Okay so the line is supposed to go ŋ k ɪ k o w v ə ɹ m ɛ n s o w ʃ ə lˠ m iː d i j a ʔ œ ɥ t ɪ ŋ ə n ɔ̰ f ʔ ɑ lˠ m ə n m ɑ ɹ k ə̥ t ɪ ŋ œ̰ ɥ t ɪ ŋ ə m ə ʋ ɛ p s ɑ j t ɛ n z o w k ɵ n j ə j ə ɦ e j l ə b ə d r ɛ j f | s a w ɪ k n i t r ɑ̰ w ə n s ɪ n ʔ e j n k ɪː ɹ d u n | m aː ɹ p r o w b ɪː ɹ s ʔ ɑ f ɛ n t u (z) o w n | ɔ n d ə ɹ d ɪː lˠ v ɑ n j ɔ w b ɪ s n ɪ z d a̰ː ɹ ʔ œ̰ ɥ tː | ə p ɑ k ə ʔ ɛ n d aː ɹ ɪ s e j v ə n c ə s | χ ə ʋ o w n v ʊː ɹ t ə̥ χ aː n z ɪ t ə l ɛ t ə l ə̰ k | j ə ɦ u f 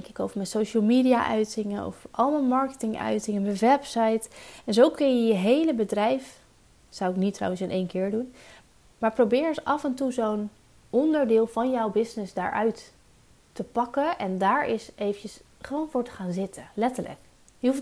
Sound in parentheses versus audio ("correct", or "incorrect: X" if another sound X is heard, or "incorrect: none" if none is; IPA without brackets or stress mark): correct